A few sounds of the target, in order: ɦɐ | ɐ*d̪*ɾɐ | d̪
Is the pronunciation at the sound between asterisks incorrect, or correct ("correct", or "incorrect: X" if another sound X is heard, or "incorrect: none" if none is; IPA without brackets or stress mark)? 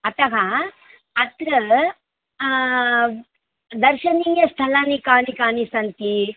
incorrect: t̪